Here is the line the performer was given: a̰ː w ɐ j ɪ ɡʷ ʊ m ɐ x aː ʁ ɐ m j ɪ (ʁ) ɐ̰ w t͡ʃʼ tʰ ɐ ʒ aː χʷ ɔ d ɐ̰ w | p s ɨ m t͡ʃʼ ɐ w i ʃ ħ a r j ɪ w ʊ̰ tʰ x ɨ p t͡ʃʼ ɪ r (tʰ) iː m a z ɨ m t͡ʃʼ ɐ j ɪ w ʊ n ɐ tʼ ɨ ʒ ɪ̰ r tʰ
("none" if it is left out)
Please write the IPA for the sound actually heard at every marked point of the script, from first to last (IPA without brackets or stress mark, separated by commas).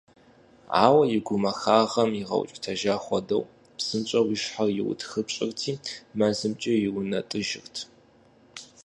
ʁ, tʰ